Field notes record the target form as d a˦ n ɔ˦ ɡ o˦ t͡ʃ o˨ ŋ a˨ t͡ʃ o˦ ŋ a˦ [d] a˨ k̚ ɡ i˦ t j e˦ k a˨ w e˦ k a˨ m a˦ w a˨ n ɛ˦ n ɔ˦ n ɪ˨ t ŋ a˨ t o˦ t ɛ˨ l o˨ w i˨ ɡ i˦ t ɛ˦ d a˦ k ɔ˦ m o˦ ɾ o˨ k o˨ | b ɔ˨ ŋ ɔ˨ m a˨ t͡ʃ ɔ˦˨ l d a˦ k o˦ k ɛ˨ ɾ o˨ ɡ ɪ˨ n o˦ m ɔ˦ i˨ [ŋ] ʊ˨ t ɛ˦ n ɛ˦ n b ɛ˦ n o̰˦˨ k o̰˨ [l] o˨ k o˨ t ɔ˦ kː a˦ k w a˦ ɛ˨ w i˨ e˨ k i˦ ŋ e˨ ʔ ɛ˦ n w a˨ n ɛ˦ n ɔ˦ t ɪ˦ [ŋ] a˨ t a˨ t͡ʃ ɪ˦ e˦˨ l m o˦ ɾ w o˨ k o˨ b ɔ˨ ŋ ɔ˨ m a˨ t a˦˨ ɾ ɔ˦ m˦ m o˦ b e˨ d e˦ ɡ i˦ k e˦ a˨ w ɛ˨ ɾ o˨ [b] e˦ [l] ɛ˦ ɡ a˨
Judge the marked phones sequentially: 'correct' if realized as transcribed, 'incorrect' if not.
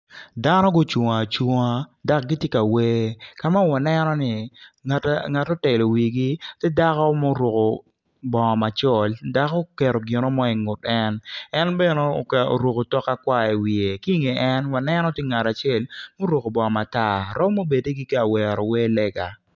correct, correct, incorrect: ɾ, correct, incorrect: w, correct

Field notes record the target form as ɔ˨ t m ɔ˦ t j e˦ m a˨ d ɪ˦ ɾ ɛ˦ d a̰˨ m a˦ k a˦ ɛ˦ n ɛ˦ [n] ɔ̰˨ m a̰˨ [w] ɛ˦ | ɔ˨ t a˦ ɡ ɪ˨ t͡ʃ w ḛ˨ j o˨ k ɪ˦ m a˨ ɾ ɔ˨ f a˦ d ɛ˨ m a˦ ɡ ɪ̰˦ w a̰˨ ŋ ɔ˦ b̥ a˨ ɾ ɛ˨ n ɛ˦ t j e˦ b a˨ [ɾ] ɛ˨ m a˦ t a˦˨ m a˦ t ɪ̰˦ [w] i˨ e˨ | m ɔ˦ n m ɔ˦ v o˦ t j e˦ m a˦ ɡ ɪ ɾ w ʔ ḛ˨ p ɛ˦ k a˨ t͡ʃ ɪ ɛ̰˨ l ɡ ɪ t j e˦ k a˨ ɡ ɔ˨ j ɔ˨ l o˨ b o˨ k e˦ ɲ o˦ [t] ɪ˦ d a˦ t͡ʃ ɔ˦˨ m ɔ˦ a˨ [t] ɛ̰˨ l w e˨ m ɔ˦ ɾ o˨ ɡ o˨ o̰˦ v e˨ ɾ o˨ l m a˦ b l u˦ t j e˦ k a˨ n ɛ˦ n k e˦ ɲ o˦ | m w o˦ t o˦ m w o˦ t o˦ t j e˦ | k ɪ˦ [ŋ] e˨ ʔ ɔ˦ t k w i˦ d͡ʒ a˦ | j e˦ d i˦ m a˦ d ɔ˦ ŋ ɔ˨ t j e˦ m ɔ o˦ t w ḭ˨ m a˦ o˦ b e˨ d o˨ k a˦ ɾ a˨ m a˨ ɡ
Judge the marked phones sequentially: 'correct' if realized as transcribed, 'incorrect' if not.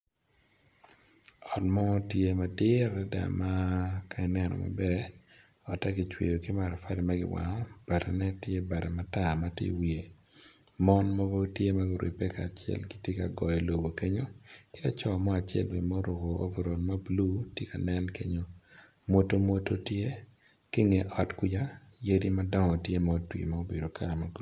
correct, incorrect: b, correct, correct, incorrect: k, incorrect: t͡ʃ, correct

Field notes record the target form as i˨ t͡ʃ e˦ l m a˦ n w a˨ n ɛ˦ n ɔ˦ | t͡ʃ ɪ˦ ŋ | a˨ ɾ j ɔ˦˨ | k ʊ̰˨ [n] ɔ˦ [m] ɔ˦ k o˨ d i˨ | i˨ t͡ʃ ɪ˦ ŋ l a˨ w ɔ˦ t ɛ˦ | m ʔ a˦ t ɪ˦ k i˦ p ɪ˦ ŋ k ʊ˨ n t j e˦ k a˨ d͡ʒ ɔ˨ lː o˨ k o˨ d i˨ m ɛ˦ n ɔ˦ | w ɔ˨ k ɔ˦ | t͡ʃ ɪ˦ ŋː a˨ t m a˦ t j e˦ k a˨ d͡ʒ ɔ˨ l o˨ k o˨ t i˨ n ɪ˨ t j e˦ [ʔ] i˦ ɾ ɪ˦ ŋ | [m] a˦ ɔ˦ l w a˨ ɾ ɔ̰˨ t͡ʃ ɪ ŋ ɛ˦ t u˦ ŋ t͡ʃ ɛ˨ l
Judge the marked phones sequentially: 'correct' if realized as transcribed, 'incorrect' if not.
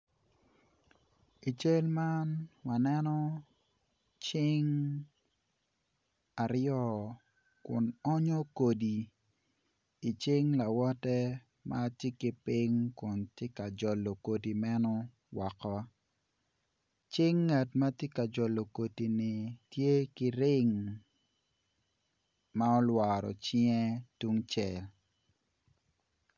correct, incorrect: ɲ, incorrect: k, correct

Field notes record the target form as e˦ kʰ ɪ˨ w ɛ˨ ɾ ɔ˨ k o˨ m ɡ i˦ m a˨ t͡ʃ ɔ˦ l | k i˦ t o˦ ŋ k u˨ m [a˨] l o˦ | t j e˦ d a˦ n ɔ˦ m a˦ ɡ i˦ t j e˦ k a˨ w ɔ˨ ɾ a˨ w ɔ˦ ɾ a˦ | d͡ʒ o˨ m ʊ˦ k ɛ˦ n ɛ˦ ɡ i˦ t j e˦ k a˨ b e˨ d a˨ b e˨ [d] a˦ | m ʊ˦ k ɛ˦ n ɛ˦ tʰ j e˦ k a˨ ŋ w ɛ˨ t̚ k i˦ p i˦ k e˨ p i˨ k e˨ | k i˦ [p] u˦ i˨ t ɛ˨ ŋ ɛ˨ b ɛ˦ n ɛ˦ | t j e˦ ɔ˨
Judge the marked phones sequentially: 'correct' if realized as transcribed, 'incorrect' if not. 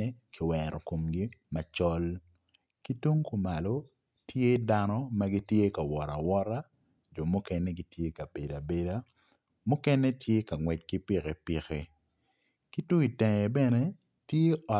correct, correct, incorrect: t

